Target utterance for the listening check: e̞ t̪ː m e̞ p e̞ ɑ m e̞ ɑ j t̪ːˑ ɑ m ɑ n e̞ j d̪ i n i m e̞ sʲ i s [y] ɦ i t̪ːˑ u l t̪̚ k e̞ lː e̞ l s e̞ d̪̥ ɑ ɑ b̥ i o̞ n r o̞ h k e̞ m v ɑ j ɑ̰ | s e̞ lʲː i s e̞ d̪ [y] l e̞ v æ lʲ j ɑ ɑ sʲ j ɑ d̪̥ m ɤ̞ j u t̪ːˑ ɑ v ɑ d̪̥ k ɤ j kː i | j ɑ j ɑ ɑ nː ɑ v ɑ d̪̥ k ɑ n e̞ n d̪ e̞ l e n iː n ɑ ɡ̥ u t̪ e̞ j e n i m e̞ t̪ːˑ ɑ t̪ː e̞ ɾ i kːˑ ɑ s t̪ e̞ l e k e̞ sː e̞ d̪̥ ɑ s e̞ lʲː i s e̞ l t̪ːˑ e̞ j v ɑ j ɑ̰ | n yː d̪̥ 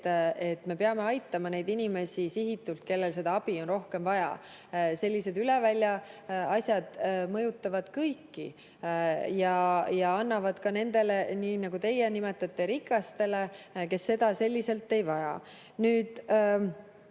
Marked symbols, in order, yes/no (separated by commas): no, yes